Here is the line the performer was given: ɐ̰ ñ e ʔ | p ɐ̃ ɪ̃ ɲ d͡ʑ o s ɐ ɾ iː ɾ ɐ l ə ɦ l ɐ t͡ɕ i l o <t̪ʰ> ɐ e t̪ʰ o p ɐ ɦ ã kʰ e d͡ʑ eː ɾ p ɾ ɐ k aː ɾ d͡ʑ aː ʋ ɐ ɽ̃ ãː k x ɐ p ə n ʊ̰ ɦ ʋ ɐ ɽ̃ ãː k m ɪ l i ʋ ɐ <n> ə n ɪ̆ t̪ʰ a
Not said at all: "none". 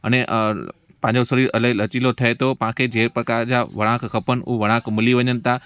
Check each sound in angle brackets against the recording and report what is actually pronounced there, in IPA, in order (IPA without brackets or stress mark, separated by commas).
t̪ʰ, ɲ